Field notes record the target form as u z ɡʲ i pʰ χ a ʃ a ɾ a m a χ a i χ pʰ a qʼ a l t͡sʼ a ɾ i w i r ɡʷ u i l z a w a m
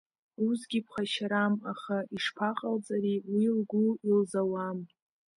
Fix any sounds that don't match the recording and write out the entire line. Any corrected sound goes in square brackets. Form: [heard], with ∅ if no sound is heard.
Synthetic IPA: u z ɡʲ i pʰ χ a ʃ a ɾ a m a χ a i [ʂ] pʰ a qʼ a l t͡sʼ a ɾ i w i [l] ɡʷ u i l z a w a m